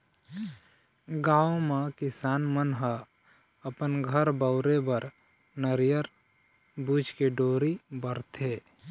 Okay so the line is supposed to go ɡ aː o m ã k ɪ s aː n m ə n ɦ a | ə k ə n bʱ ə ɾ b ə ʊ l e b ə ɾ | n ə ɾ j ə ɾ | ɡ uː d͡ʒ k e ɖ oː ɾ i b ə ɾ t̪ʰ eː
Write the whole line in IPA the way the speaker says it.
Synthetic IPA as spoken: ɡ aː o m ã k ɪ s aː n m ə n ɦ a | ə p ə n ɡʱ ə ɾ b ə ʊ ɾ e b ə ɾ | n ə ɾ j ə ɾ | b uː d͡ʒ k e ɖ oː ɾ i b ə ɾ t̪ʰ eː